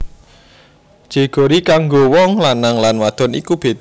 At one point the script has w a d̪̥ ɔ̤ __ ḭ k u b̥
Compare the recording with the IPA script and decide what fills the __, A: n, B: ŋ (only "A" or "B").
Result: A